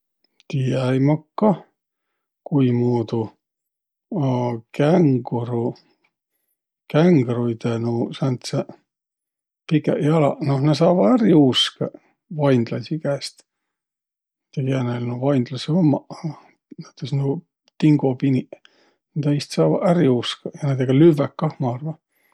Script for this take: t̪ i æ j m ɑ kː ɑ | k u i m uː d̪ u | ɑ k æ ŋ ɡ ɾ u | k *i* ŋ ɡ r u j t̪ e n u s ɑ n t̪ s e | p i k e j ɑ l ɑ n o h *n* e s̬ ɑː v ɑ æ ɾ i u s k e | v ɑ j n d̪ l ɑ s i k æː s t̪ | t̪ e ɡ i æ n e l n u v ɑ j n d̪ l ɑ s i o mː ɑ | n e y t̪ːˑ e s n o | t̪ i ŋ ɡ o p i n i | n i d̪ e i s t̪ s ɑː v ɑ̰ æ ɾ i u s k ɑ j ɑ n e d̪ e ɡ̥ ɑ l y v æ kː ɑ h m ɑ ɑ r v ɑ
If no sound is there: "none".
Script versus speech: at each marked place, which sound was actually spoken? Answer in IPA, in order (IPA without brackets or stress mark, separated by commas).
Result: æ, n